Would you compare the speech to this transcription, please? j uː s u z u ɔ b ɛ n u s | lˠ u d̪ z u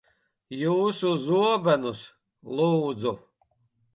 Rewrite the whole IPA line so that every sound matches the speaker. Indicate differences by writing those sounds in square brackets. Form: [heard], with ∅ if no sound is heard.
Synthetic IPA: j uː s u z u ɔ b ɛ n u s | lˠ [uː] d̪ z u